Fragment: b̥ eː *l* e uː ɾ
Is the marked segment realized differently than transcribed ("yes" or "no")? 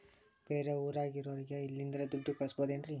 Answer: yes